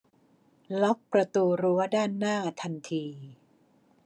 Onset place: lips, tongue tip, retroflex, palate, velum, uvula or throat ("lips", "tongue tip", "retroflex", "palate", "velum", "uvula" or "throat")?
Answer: tongue tip